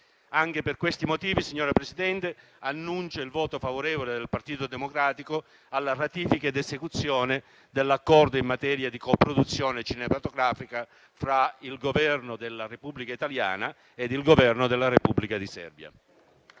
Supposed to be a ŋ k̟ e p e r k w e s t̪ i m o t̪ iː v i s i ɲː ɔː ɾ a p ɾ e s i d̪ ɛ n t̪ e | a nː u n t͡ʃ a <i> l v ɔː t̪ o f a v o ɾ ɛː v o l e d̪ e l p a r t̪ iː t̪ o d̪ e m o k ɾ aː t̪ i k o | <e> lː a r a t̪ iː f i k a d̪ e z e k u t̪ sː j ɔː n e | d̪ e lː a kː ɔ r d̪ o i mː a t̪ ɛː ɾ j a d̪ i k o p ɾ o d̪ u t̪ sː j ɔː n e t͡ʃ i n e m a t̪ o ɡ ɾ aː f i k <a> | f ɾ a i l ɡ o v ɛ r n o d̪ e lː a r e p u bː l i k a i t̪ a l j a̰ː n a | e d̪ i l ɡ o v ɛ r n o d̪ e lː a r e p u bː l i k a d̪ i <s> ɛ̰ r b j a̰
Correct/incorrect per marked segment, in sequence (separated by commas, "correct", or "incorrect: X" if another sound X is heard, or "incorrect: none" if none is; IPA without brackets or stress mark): correct, incorrect: a, correct, correct